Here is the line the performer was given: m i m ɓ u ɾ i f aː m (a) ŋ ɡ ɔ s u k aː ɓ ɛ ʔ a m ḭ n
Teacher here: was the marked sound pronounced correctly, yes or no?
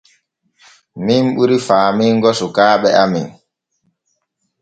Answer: no